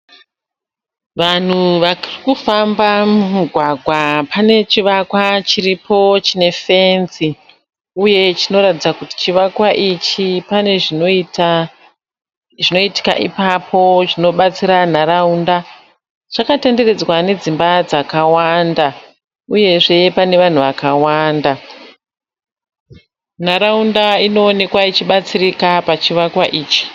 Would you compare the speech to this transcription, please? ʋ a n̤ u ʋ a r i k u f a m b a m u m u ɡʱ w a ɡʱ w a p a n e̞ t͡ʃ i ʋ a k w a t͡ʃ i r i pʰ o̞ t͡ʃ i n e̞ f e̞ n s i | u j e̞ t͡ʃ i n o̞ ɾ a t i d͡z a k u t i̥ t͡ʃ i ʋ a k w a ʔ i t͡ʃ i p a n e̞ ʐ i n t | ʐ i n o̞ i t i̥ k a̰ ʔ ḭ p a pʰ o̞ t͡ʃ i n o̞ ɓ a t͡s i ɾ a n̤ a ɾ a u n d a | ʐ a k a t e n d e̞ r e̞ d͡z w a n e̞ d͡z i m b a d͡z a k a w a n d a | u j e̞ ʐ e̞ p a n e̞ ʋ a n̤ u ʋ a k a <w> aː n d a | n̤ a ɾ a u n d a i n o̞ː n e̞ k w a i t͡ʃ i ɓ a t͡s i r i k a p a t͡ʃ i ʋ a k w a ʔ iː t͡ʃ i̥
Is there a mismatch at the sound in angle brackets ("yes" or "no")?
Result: no